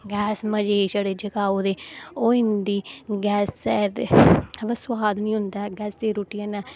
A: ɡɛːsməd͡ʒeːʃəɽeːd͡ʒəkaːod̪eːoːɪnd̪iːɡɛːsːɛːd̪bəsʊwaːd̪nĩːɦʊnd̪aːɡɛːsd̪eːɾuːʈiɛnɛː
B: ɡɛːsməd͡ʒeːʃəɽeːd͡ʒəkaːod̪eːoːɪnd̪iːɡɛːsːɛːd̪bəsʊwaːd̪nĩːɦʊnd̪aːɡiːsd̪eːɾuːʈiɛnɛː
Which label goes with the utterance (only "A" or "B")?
A